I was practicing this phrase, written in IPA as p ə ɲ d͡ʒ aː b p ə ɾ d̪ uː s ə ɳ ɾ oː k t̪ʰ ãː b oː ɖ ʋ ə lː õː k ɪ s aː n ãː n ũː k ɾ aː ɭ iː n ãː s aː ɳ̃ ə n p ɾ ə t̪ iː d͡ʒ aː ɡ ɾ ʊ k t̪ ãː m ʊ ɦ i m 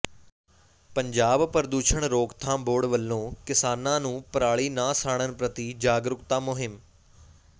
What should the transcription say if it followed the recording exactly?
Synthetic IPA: p ə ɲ d͡ʒ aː b p ə ɾ d̪ uː ʃ ə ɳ ɾ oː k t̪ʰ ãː b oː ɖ ʋ ə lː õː k ɪ s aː n ãː n ũː p ɾ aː ɭ iː n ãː s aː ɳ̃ ə n p ɾ ə t̪ iː d͡ʒ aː ɡ ɾ ʊ k t̪ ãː m ʊ ɦ ɪ m

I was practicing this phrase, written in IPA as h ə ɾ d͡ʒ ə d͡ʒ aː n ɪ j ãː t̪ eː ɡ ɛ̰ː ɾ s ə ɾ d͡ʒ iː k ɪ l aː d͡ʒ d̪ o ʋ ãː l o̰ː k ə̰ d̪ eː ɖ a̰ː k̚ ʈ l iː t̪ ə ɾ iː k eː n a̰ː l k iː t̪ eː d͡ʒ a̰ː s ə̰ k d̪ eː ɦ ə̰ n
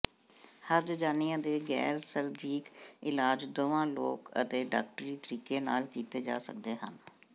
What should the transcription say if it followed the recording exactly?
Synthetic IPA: h ə ɾ d͡ʒ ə d͡ʒ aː n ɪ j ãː d̪ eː ɡ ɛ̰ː ɾ s ə ɾ d͡ʒ iː k ɪ l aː d͡ʒ d̪ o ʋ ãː l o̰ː k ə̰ t̪ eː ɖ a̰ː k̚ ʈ ɾ iː t̪ ə ɾ iː k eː n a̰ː l k iː t̪ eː d͡ʒ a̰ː s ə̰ k d̪ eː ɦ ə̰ n

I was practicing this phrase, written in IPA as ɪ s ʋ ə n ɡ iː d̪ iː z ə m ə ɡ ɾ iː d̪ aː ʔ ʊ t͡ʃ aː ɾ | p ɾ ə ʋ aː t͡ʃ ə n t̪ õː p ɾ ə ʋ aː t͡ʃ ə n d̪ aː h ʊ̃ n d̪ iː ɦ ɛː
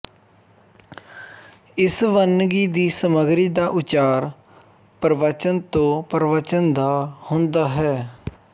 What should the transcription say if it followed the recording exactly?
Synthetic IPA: ɪ s ʋ ə n ɡ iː d̪ iː s ə m ə ɡ ɾ iː d̪ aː ʔ ʊ t͡ʃ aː ɾ | p ɾ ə ʋ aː t͡ʃ ə n t̪ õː p ɾ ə ʋ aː t͡ʃ ə n d̪ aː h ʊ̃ n d̪ aː ɦ ɛː

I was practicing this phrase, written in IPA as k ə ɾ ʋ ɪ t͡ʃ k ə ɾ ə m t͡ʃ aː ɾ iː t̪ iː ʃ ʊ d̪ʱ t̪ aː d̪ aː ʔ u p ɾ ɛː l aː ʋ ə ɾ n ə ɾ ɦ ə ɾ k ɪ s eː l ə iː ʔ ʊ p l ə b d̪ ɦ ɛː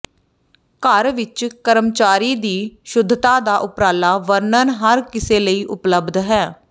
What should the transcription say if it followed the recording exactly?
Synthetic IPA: k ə ɾ ʋ ɪ t͡ʃ k ə ɾ ə m t͡ʃ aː ɾ iː d̪ iː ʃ ʊ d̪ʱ t̪ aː d̪ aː ʔ ʊ p ɾ aː l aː ʋ ə ɾ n ə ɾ ɦ ə ɾ k ɪ s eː l ə iː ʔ ʊ p l ə b d̪ ɦ ɛː

